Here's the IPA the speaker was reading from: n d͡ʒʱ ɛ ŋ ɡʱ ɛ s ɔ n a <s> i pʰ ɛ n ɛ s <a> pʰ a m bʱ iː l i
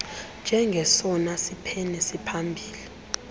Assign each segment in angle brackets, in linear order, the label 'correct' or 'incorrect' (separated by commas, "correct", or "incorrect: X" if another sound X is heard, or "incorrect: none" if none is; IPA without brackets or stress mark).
correct, incorrect: i